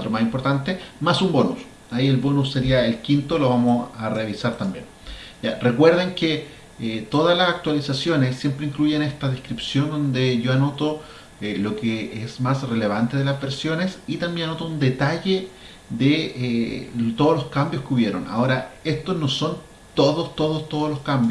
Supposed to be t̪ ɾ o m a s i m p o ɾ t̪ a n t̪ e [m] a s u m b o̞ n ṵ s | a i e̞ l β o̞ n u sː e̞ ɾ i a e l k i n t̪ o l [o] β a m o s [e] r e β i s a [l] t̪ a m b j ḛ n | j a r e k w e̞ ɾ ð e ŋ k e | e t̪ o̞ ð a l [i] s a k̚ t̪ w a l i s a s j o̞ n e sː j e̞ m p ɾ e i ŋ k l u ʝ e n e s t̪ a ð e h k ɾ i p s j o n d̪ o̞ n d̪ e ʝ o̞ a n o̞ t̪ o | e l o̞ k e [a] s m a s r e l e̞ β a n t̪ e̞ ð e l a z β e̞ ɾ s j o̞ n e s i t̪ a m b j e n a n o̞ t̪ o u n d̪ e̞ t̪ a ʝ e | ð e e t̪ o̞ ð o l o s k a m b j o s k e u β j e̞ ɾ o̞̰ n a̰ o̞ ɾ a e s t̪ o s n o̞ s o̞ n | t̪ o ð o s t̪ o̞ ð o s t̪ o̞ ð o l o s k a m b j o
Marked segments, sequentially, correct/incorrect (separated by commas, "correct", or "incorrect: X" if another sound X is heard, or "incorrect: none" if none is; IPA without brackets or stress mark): correct, correct, incorrect: a, incorrect: ɾ, incorrect: a, incorrect: e